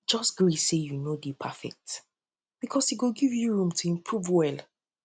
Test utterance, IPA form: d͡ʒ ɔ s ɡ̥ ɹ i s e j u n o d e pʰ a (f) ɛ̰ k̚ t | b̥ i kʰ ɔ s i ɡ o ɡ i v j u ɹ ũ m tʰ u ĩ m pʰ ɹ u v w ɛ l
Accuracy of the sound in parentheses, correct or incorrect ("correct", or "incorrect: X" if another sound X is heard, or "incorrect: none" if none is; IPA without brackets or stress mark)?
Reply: correct